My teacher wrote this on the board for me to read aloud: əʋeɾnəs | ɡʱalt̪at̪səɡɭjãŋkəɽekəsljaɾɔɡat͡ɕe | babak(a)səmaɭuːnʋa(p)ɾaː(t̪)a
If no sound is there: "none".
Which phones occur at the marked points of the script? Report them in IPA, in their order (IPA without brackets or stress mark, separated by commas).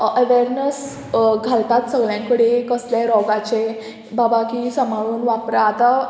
i, p, t̪